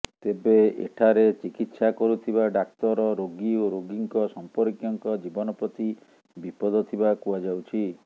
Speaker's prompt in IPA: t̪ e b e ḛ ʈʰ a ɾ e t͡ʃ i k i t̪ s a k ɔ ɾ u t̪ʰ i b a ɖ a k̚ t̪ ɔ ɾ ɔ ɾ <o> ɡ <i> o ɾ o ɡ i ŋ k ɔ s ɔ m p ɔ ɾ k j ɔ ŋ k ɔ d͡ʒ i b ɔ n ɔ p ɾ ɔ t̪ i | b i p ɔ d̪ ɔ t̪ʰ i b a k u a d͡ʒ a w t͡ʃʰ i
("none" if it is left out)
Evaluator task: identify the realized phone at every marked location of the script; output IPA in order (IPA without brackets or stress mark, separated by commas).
o, i